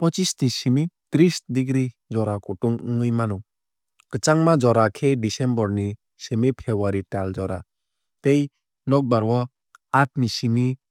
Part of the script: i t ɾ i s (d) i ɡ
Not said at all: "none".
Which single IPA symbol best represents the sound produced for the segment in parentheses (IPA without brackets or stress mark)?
d